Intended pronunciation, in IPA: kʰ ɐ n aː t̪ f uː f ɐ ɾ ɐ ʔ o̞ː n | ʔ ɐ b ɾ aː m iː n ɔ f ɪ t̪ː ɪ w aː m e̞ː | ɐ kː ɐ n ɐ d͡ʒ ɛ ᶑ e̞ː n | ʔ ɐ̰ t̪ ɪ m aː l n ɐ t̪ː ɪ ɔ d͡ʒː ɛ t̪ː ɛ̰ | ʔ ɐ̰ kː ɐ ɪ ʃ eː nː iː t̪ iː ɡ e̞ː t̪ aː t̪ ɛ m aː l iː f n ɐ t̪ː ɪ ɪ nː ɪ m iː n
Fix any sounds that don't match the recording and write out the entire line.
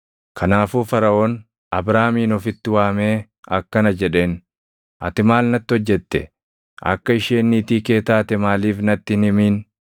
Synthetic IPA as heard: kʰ ɐ n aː f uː f ɐ ɾ ɐ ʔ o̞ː n | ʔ ɐ b ɾ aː m iː n ɔ f ɪ t̪ː ɪ w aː m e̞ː | ɐ kː ɐ n ɐ d͡ʒ ɛ ᶑ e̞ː n | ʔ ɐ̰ t̪ ɪ m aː l n ɐ t̪ː ɪ ɔ d͡ʒː ɛ t̪ː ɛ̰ | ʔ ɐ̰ kː ɐ ɪ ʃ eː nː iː t̪ iː k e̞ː t̪ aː t̪ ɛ m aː l iː f n ɐ t̪ː ɪ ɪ n ɪ m iː n